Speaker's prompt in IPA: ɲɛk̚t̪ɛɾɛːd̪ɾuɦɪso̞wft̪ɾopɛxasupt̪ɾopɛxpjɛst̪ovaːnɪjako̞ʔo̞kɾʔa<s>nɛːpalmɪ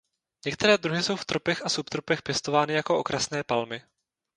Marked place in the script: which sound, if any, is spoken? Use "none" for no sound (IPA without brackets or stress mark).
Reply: s